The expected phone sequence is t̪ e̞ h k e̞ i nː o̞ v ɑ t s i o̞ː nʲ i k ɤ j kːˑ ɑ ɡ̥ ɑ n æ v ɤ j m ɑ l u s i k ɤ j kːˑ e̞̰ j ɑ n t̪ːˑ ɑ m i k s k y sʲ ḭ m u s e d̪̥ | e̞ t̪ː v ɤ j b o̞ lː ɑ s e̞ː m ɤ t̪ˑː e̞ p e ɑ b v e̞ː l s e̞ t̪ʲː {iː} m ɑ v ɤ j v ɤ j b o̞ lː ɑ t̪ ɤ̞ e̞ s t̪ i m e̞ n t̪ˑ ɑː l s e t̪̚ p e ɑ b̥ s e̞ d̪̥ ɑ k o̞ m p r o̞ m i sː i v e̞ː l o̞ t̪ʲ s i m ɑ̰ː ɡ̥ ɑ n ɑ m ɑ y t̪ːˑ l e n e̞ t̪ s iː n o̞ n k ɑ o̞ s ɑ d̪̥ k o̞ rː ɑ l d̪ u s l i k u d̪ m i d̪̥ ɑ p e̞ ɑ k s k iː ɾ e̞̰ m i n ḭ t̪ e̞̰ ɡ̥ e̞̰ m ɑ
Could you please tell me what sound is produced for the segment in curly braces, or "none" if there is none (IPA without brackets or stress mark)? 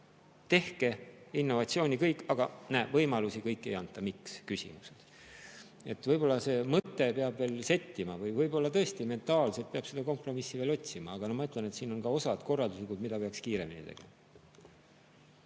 i